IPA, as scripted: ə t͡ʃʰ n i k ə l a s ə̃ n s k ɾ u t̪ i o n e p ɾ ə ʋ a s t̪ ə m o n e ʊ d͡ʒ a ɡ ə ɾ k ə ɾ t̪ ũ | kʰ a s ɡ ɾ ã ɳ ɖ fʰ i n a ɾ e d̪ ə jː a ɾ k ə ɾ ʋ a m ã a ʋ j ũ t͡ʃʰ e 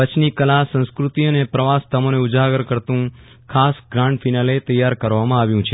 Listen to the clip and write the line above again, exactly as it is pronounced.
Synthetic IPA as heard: ə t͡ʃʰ n i k ə l a s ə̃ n s k ɾ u t̪ i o n e p ɾ ə ʋ a s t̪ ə m o n e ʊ d͡ʒ a ɡ ə ɾ k ə ɾ t̪ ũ | kʰ a s ɡ ɾ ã ɳ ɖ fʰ i n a l e t̪ ə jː a ɾ k ə ɾ ʋ a m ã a ʋ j ũ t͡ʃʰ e